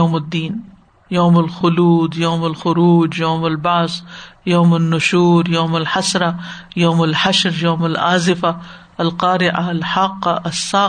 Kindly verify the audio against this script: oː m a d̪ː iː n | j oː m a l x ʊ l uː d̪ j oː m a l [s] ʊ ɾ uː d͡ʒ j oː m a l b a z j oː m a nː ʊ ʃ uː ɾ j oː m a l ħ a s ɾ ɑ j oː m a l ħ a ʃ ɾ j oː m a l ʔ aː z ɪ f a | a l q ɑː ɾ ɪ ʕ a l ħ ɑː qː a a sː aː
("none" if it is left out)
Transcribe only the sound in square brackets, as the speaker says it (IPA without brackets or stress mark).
x